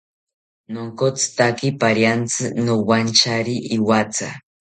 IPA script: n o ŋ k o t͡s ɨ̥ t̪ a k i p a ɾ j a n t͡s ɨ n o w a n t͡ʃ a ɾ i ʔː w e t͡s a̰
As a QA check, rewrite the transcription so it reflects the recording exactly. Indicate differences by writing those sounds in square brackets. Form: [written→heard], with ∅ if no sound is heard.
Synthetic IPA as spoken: n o ŋ k o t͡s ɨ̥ t̪ a k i p a ɾ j a n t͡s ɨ n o w a n t͡ʃ a ɾ i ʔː w [e→a] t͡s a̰